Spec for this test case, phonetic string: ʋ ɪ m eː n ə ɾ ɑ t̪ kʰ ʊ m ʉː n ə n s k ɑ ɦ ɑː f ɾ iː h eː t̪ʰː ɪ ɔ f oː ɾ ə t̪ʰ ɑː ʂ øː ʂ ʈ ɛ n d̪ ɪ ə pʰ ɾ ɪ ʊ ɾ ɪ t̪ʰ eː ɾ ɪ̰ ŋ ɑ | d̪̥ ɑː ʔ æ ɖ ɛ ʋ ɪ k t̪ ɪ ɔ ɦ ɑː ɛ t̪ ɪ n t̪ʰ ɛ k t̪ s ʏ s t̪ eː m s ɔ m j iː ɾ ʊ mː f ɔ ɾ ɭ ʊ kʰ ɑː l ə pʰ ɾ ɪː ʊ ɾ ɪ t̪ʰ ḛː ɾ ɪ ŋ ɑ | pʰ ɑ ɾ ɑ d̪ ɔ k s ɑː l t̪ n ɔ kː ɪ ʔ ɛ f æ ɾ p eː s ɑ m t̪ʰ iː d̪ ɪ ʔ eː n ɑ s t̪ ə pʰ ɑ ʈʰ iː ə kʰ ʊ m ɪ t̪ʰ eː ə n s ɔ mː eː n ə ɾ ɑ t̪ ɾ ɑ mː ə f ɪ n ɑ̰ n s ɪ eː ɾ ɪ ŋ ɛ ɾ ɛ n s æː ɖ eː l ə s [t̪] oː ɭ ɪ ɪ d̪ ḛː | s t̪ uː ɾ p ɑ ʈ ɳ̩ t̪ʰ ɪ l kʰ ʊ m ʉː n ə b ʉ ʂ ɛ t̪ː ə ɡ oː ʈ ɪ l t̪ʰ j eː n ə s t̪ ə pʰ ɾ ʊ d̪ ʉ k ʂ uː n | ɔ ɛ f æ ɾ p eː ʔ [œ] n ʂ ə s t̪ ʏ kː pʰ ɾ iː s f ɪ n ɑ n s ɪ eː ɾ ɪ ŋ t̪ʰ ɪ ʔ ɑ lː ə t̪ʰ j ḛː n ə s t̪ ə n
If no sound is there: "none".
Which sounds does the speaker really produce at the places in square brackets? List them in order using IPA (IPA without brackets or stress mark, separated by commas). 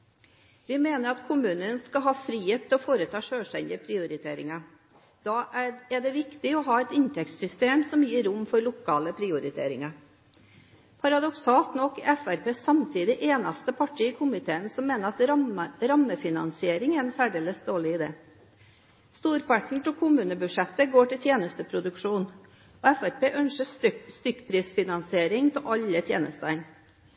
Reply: d̪, œ